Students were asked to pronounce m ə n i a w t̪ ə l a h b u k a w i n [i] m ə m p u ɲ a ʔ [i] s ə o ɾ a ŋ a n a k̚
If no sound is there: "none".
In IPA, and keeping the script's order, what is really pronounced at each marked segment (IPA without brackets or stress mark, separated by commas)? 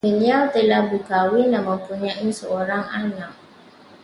a, i